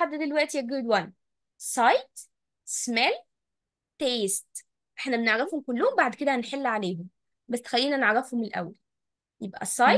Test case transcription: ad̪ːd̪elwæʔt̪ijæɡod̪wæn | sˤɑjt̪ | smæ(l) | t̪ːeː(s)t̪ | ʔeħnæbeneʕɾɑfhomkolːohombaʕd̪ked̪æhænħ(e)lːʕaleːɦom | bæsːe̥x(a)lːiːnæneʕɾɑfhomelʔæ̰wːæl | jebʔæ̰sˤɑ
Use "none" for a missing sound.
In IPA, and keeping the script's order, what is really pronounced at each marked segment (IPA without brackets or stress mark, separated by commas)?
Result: l, s, e, æ